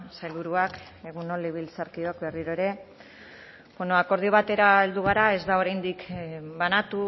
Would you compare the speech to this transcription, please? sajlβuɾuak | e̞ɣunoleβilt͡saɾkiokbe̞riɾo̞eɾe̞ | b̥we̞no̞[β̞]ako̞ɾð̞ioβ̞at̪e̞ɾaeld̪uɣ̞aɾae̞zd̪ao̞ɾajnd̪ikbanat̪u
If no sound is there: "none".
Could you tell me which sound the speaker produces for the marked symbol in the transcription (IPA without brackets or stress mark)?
none